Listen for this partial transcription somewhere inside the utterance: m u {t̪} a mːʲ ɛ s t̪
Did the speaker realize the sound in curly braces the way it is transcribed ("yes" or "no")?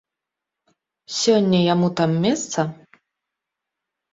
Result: yes